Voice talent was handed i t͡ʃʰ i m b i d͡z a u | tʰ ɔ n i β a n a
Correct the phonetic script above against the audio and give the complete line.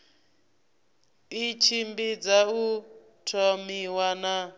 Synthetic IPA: i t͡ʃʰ i m b i d͡z a u | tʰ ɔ m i w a n a